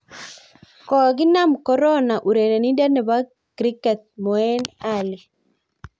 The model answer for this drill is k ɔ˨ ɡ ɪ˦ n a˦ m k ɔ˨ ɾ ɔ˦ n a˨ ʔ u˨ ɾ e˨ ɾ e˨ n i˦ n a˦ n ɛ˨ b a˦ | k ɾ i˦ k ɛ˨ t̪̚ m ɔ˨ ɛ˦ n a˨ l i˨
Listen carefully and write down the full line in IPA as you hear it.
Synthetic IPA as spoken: k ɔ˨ ɡ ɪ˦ n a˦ m k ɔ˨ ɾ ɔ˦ n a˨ ʔ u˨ ɾ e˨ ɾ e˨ n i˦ d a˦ n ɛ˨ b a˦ | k ɾ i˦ k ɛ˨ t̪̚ m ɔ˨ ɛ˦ n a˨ l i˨